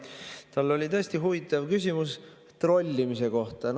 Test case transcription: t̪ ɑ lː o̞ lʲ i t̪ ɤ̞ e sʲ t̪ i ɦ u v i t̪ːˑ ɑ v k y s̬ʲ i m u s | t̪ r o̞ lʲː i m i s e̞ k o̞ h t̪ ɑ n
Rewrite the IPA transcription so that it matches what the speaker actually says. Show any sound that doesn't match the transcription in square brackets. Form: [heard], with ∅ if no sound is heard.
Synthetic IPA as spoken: t̪ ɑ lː o̞ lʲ i t̪ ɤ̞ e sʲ t̪ i ɦ u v i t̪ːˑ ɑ v k y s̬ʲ i m u s | t̪ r o̞ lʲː i m i s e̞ k o̞ h t̪ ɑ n